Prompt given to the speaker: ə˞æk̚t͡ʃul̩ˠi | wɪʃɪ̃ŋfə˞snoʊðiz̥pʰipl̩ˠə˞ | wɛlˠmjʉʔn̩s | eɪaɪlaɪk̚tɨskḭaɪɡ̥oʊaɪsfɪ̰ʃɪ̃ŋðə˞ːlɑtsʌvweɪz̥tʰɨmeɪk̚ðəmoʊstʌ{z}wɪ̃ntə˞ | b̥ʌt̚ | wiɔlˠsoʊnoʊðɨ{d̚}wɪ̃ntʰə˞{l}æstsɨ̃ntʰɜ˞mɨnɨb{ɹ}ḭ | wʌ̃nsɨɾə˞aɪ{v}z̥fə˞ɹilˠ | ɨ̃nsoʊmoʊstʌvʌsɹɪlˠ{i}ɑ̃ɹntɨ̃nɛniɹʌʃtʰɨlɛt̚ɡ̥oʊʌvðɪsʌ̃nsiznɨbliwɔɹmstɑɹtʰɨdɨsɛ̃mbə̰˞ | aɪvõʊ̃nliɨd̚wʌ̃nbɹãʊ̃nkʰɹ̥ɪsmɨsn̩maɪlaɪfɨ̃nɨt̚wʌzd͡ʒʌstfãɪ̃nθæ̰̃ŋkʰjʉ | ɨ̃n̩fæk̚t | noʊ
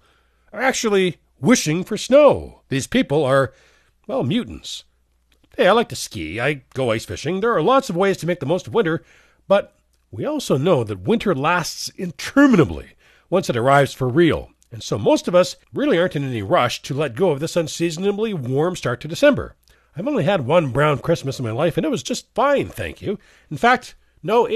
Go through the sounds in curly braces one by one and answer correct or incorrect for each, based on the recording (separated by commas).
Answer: incorrect, incorrect, correct, incorrect, correct, correct